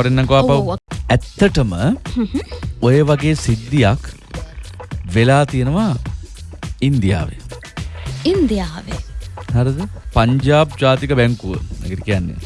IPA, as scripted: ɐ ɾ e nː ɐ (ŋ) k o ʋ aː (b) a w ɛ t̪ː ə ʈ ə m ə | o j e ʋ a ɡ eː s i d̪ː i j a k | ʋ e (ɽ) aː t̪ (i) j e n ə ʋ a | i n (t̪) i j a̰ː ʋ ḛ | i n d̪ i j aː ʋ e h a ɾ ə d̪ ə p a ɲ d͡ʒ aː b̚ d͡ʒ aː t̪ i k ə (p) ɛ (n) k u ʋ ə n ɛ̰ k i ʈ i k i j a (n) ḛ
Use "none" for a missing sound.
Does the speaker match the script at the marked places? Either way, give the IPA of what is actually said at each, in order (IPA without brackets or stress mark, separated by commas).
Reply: ŋ, p, l, i, d̪, b, ŋ, nː